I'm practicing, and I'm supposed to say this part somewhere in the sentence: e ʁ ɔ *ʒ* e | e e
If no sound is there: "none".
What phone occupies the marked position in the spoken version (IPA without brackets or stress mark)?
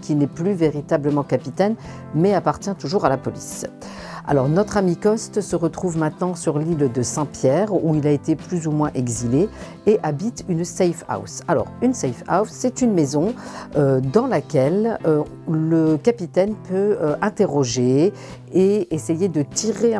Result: ʒ